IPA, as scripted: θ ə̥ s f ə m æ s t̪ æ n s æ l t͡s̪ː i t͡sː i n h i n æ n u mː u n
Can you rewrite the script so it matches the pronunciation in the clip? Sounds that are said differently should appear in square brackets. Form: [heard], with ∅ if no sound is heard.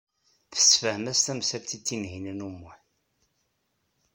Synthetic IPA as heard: θ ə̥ s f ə m æ s t̪ æ [m] s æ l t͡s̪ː i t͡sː i n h i n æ n u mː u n